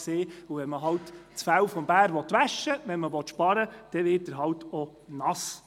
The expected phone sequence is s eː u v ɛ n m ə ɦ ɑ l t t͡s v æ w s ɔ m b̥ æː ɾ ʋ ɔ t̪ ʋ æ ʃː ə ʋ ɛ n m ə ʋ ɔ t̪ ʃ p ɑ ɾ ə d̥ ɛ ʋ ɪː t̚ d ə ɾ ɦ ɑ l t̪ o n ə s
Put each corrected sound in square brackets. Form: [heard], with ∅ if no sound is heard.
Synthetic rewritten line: s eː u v ɛ n m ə ɦ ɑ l t t͡s [f] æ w [f] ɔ m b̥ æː ɾ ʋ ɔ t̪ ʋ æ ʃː ə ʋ ɛ n m ə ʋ ɔ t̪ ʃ p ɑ ɾ ə d̥ ɛ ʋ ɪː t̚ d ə ɾ ɦ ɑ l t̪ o n [ɑ] s